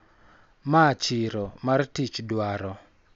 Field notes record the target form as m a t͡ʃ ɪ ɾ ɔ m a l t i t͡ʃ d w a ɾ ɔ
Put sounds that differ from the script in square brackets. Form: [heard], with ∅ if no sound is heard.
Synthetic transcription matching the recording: m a t͡ʃ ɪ ɾ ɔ m a [r] t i t͡ʃ d w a ɾ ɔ